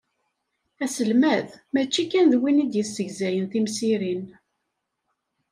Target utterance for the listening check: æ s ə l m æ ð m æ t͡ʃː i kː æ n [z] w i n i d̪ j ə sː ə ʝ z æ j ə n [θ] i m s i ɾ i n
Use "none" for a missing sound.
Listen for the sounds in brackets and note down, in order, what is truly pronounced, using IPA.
ð, θ

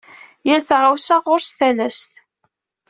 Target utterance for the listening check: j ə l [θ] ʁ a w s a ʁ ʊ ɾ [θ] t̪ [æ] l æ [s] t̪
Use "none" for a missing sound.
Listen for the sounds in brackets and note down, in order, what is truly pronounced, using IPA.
θ, s, æ, s

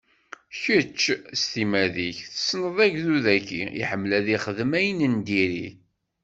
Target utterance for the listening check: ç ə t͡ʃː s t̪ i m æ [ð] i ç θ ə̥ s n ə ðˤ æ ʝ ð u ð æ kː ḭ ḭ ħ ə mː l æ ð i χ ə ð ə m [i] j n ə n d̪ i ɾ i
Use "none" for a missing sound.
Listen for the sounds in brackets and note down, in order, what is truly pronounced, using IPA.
ð, æ

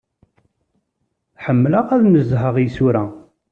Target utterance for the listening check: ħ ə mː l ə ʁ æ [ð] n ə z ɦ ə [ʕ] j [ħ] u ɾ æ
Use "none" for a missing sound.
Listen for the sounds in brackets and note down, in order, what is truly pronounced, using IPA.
ð, ʁ, s

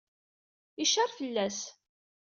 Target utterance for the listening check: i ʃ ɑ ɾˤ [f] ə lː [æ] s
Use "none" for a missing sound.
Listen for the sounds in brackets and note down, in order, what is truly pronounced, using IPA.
f, æ

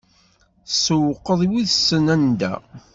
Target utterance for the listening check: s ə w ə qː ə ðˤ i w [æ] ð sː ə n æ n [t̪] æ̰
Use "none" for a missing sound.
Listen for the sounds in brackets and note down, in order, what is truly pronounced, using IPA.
i, d̪

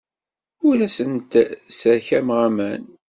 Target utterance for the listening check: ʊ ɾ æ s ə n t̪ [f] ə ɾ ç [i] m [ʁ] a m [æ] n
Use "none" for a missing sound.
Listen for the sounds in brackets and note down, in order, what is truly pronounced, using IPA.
s, æ, ʁ, æ

